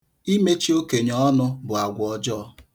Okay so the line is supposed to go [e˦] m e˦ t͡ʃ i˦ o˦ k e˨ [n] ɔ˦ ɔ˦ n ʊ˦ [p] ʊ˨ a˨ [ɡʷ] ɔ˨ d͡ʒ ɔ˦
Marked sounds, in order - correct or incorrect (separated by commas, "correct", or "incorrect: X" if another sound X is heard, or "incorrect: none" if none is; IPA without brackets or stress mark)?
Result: incorrect: i˦, incorrect: ɲ, incorrect: b, correct